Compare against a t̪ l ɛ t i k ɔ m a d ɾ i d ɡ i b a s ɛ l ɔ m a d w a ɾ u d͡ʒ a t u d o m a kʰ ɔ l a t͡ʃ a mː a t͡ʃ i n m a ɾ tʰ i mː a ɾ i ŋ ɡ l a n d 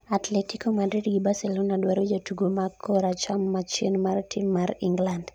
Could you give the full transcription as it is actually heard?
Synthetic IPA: a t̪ l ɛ t i k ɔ m a d ɾ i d ɡ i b a s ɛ l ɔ n a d w a ɾ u d͡ʒ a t u ɡ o m a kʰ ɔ ɾ a t͡ʃ a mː a t͡ʃ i n m a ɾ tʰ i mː a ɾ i ŋ ɡ l a n d